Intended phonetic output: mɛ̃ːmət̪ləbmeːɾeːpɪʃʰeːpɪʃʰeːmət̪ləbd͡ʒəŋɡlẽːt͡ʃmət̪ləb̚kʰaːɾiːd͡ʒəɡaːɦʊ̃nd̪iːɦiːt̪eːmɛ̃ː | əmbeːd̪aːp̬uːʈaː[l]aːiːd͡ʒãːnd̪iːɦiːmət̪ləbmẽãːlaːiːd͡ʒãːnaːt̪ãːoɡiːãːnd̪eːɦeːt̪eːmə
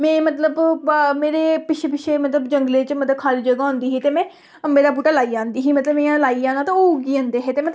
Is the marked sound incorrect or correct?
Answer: correct